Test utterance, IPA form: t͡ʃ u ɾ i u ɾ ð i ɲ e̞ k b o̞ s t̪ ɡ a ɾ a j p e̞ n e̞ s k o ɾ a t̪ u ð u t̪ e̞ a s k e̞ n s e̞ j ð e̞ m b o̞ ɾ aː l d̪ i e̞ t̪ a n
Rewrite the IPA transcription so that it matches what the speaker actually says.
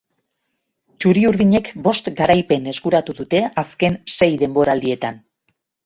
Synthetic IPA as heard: t͡ʃ u ɾ i u ɾ ð i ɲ e̞ k b o̞ s t̪ ɡ a ɾ a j p e̞ n e̞ s k u ɾ a t̪ u ð u t̪ e̞ a s k e̞ n s e̞ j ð e̞ m b o̞ ɾ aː l d̪ i e̞ t̪ a n